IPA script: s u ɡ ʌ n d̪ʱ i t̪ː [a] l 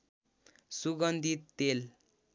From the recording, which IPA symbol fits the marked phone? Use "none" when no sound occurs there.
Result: e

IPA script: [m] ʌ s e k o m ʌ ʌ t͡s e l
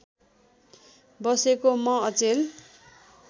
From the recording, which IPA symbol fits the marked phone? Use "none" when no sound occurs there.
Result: b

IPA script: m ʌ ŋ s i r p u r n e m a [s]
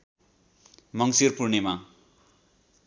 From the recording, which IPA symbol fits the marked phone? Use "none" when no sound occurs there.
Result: none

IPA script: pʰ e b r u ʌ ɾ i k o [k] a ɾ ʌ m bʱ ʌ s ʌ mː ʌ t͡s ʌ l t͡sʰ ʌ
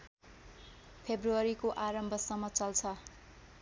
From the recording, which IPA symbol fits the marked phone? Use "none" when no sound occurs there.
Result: ʔ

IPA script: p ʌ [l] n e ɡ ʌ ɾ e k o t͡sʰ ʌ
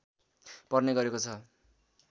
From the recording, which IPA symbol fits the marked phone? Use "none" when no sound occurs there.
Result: r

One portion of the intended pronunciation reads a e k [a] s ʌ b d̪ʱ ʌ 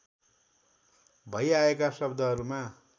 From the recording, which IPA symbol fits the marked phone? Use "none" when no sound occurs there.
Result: a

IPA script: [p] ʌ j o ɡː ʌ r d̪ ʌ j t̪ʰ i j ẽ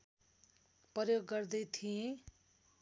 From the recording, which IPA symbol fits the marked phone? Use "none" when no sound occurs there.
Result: p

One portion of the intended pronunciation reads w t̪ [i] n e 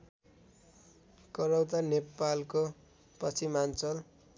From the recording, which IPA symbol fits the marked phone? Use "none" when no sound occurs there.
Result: a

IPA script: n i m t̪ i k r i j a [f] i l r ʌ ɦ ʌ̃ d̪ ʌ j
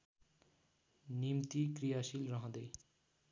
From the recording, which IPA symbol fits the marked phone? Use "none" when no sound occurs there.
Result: s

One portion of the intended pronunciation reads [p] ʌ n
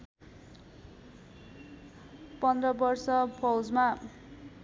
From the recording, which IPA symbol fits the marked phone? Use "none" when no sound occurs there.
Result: p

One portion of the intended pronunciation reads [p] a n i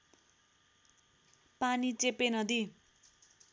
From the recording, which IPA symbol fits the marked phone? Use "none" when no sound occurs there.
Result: p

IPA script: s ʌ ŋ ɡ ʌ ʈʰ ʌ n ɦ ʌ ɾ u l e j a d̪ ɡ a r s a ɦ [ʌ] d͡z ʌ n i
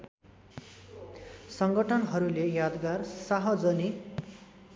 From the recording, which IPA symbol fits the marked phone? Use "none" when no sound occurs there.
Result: ʌ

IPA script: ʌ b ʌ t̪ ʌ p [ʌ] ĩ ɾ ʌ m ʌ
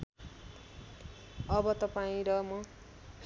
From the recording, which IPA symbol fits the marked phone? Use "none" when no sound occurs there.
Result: a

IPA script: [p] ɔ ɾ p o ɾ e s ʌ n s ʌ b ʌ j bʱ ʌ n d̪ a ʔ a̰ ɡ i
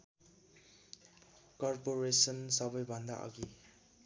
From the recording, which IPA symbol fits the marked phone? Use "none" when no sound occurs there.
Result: k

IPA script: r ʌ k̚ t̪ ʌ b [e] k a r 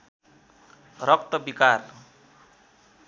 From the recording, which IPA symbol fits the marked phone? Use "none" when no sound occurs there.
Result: i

